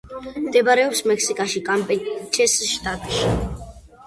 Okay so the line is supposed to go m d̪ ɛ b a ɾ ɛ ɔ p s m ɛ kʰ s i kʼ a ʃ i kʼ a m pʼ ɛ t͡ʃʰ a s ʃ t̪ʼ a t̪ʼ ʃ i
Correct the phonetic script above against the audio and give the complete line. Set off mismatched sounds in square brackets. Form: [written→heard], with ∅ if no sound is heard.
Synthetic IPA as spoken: m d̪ ɛ b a ɾ ɛ ɔ p s m ɛ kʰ s i kʼ a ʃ i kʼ a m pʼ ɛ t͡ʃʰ [a→ɛ] s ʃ t̪ʼ a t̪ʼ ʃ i

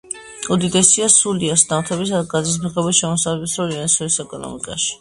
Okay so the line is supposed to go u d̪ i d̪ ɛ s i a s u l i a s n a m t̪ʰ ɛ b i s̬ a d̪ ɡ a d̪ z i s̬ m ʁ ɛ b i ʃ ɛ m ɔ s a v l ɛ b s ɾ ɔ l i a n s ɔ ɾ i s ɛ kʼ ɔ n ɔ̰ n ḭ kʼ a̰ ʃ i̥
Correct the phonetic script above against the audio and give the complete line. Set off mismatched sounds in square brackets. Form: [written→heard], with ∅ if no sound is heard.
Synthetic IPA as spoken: u d̪ i d̪ ɛ s i a s u l i a s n a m t̪ʰ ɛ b i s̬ a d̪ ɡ a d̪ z i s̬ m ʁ ɛ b i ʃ ɛ m ɔ s a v l ɛ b s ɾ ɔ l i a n s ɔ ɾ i s ɛ kʼ ɔ n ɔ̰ [n→m] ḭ kʼ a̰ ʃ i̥

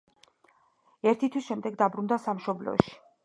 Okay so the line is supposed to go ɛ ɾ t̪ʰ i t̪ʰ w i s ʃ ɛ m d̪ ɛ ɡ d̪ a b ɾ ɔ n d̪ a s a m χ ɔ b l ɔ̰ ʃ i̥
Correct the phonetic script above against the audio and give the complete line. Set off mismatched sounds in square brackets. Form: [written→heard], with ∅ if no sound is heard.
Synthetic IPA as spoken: ɛ ɾ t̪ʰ i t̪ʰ w i s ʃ ɛ m d̪ ɛ ɡ d̪ a b ɾ [ɔ→u] n d̪ a s a m [χ→ʃ] ɔ b l ɔ̰ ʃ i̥

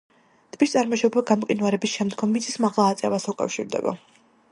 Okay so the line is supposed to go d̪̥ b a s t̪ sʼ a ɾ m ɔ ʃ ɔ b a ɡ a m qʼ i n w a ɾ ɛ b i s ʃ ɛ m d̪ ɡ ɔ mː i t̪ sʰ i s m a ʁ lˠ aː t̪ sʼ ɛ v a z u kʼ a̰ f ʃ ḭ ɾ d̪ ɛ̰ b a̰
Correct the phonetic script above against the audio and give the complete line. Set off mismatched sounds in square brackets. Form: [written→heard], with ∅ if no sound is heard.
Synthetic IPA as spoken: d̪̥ b [a→i] s t̪ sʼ a ɾ m ɔ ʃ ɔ b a ɡ a m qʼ i n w a ɾ ɛ b i s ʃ ɛ m d̪ ɡ ɔ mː i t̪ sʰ i s m a ʁ lˠ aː t̪ sʼ ɛ v a [z→s] u kʼ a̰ f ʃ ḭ ɾ d̪ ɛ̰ b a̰

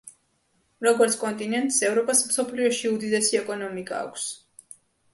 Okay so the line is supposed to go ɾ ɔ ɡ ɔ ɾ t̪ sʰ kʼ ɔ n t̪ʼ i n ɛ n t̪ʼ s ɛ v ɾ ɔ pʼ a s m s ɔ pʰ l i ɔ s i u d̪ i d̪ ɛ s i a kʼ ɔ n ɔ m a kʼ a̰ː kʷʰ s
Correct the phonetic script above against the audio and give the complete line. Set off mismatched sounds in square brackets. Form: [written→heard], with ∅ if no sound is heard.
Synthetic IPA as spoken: ɾ ɔ ɡ ɔ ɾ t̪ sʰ kʼ ɔ n t̪ʼ i n ɛ n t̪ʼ s ɛ v ɾ ɔ pʼ a s m s ɔ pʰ l i ɔ [s→ʃ] i u d̪ i d̪ ɛ s i [a→ɛ] kʼ ɔ n ɔ m [a→i] kʼ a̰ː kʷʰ s

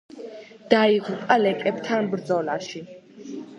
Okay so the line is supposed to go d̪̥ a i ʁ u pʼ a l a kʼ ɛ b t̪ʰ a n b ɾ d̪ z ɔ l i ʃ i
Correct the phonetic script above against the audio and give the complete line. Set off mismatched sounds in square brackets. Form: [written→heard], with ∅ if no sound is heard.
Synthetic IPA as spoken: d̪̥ a i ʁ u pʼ a l [a→ɛ] kʼ ɛ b t̪ʰ a n b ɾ d̪ z ɔ l [i→a] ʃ i

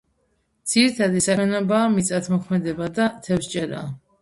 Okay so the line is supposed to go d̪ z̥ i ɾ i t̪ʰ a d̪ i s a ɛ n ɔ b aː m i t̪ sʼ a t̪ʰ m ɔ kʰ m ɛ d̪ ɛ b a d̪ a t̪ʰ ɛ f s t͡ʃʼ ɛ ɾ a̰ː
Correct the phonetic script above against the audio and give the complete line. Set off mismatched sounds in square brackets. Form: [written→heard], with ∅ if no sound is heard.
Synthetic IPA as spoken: d̪ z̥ i ɾ i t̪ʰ a d̪ i s a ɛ n ɔ b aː m i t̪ sʼ a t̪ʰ m ɔ kʰ m ɛ d̪ ɛ b a d̪ a t̪ʰ ɛ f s t͡ʃʼ ɛ ɾ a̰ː

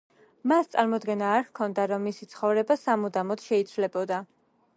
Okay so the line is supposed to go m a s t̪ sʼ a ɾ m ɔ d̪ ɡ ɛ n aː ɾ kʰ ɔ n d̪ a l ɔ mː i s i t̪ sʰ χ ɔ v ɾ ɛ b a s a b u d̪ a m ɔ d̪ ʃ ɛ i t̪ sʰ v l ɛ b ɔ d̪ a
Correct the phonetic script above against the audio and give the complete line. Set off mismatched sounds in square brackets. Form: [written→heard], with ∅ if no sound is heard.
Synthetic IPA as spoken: m a s t̪ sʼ a ɾ m ɔ d̪ ɡ ɛ n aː ɾ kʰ ɔ n d̪ a [l→ɾ] ɔ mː i s i t̪ sʰ χ ɔ v ɾ ɛ b a s a [b→m] u d̪ a m ɔ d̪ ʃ ɛ i t̪ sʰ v l ɛ b ɔ d̪ a

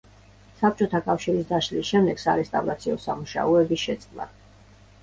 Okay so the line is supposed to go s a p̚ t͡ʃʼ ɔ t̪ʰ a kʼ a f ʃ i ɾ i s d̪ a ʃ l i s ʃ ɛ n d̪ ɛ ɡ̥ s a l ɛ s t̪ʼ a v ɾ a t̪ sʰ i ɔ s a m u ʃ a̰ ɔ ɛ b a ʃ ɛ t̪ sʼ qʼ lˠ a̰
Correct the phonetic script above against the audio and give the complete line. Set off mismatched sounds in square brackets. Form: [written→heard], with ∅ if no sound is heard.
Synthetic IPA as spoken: s a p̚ t͡ʃʼ ɔ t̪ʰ a kʼ a f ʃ i ɾ i s d̪ a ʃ l i s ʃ ɛ [n→m] d̪ ɛ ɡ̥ s a [l→ɾ] ɛ s t̪ʼ a v ɾ a t̪ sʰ i ɔ s a m u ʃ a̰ ɔ ɛ b [a→i] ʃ ɛ t̪ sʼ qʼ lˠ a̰

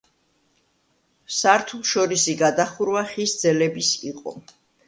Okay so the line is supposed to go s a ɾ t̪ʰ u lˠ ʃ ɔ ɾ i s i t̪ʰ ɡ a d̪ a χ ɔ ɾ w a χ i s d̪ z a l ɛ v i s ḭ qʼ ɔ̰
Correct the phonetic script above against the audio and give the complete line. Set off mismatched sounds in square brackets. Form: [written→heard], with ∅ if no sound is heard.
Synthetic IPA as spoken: s a ɾ t̪ʰ u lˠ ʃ ɔ ɾ i s i [t̪ʰ→∅] ɡ a d̪ a χ [ɔ→u] ɾ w a χ i s d̪ z [a→ɛ] l ɛ [v→b] i s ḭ qʼ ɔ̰

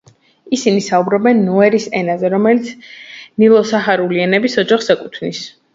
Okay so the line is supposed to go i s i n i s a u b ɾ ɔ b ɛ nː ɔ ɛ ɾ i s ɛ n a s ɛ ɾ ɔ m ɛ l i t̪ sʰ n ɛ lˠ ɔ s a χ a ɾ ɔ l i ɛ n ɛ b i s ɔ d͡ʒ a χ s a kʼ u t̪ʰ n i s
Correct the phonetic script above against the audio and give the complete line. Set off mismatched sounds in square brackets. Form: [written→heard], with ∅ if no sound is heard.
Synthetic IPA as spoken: i s i n i s a u b ɾ ɔ b ɛ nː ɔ ɛ ɾ i s ɛ n a [s→z] ɛ ɾ ɔ m ɛ l i t̪ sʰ n [ɛ→i] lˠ ɔ s a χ a ɾ [ɔ→u] l i ɛ n ɛ b i s ɔ d͡ʒ a χ s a kʼ u t̪ʰ n i s

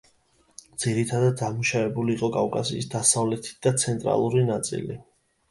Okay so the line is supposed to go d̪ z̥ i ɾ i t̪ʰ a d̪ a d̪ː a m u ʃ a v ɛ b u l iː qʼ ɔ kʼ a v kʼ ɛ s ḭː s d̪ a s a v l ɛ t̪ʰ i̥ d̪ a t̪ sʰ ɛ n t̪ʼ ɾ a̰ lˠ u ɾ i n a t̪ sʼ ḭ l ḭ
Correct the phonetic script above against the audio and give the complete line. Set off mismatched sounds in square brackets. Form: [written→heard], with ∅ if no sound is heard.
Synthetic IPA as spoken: d̪ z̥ i ɾ i t̪ʰ a d̪ a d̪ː a m u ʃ a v ɛ b u l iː qʼ ɔ kʼ a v kʼ [ɛ→a] s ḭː s d̪ a s a v l ɛ t̪ʰ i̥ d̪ a t̪ sʰ ɛ n t̪ʼ ɾ a̰ lˠ u ɾ i n a t̪ sʼ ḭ l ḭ

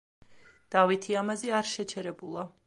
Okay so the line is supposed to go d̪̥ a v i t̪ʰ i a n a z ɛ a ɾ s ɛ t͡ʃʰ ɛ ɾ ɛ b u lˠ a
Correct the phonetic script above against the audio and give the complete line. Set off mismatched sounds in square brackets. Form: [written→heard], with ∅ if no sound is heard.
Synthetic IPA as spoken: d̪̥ a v i t̪ʰ i a [n→m] a z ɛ a ɾ [s→ʃ] ɛ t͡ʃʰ ɛ ɾ ɛ b u lˠ a

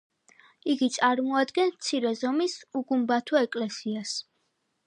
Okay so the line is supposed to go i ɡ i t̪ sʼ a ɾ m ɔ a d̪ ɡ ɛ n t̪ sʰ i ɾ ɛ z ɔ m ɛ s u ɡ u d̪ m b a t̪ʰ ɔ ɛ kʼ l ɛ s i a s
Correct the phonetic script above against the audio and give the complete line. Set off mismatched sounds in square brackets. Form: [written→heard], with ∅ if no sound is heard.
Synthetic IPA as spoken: i ɡ i t̪ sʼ a ɾ m ɔ a d̪ ɡ ɛ n t̪ sʰ i ɾ ɛ z ɔ m [ɛ→i] s u ɡ u [d̪→∅] m b a t̪ʰ ɔ ɛ kʼ l ɛ s i a s

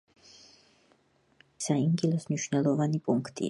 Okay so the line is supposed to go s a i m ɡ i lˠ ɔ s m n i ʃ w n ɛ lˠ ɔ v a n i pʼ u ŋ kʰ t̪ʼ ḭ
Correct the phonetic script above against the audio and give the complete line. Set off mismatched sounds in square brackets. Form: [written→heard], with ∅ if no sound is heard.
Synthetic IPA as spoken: s a i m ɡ i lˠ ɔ s m n i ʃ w n ɛ lˠ ɔ v a n i pʼ u ŋ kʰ t̪ʼ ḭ

